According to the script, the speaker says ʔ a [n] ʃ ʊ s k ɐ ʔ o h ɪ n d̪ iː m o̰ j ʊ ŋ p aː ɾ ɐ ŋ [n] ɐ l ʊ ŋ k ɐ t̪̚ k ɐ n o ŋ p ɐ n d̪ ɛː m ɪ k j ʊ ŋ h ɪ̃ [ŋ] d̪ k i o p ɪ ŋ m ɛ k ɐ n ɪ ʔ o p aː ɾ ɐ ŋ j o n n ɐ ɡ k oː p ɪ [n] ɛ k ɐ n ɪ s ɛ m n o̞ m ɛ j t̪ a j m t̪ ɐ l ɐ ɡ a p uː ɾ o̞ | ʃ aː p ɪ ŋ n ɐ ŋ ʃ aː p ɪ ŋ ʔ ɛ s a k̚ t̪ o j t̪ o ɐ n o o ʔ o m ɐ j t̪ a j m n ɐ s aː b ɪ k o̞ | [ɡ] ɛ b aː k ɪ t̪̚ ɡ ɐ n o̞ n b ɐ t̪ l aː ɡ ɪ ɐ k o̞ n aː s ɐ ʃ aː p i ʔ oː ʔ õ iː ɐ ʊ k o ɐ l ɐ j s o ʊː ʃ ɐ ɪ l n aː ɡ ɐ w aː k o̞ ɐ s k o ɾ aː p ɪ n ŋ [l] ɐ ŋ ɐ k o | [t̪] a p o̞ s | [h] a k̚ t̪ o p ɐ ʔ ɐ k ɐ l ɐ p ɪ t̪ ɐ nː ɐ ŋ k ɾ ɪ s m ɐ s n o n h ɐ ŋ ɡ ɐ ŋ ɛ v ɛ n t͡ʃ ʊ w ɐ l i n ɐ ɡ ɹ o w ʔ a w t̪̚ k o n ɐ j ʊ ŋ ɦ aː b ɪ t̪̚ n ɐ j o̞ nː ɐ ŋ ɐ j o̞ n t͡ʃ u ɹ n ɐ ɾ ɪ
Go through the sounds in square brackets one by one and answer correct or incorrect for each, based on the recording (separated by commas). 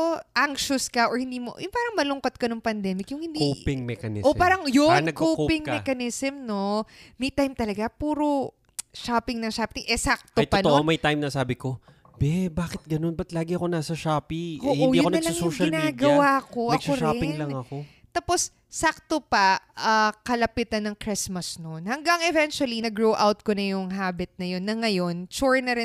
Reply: incorrect, incorrect, incorrect, incorrect, incorrect, correct, correct, incorrect